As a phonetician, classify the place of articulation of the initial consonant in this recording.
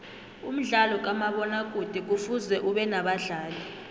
labial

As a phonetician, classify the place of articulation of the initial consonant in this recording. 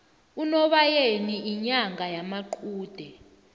alveolar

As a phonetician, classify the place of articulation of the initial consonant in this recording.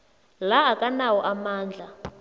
alveolar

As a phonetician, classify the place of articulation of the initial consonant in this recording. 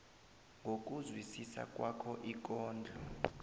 velar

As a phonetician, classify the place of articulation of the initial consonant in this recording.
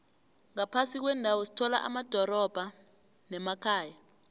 velar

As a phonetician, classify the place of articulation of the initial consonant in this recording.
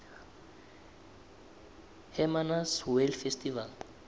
glottal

